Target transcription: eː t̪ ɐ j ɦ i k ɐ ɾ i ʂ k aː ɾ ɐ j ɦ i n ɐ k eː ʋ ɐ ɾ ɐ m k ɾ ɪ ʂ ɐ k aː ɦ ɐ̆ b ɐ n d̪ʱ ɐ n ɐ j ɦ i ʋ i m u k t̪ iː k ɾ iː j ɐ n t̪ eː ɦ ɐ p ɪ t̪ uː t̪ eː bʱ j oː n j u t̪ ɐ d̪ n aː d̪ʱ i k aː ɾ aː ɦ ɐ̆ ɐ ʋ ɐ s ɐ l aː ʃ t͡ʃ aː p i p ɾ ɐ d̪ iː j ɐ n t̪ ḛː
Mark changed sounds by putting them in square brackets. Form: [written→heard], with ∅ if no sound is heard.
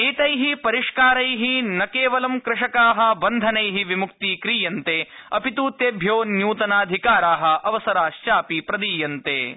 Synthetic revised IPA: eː t̪ ɐ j ɦ i [k→p] ɐ ɾ i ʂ k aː ɾ ɐ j ɦ i n ɐ k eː ʋ ɐ [ɾ→l] ɐ m k ɾ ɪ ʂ ɐ k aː ɦ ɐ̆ b ɐ n d̪ʱ ɐ n ɐ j ɦ i ʋ i m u k t̪ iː k ɾ iː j ɐ n t̪ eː [ɦ→∅] ɐ p [ɪ→i] t̪ uː t̪ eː bʱ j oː n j [u→uː] t̪ ɐ [d̪→∅] n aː d̪ʱ i k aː ɾ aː ɦ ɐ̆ ɐ ʋ ɐ s ɐ [l→ɾ] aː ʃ t͡ʃ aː p i p ɾ ɐ d̪ iː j ɐ n t̪ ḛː